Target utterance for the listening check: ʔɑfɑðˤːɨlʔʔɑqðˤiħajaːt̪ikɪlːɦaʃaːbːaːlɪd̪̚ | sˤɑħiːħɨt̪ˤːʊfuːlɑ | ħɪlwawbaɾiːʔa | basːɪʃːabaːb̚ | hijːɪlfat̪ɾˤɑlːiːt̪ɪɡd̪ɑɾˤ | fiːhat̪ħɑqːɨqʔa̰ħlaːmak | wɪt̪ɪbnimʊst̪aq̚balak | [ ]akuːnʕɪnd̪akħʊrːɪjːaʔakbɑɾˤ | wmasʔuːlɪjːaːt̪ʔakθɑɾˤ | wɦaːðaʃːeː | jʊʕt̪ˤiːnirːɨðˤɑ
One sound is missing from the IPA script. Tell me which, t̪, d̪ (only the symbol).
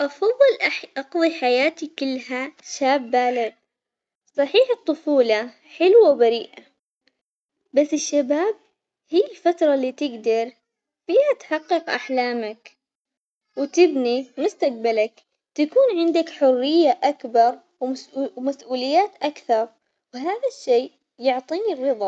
t̪